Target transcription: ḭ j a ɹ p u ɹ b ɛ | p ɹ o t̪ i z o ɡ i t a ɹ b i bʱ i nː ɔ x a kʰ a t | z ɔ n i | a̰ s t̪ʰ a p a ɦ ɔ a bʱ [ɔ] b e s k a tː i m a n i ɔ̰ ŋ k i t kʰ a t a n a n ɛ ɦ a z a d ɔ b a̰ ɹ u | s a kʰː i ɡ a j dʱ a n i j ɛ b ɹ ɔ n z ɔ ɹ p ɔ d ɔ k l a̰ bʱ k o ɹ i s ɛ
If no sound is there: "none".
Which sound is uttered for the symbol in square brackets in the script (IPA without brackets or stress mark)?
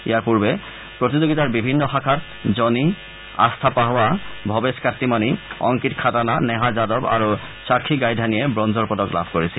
ɔ